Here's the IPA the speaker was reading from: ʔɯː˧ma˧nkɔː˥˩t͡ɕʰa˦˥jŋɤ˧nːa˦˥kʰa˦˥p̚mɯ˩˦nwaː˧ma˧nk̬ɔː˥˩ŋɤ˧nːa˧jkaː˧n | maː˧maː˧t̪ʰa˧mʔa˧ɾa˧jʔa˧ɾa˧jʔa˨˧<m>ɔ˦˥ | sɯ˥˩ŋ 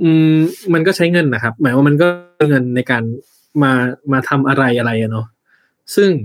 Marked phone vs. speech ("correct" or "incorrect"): incorrect